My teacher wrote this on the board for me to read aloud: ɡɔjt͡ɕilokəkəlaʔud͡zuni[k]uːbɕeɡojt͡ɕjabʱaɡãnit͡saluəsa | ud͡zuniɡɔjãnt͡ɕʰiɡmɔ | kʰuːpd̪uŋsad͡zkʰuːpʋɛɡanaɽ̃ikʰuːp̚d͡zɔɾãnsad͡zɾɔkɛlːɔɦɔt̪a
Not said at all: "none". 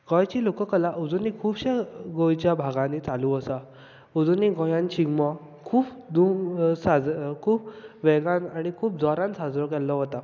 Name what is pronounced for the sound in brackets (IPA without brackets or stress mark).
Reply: kʰ